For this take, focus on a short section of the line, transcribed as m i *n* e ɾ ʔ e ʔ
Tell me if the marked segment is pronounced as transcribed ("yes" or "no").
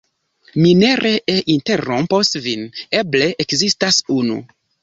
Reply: yes